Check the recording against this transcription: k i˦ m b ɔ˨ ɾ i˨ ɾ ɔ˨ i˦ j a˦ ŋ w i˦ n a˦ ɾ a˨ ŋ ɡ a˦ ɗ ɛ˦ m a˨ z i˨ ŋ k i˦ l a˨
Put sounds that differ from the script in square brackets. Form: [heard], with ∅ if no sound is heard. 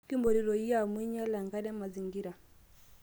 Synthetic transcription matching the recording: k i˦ m b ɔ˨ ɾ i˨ ɾ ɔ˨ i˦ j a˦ [m] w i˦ [ɲ] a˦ [l] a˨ ŋ ɡ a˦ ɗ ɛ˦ m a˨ z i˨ ŋ [ɡ] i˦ [ɾ] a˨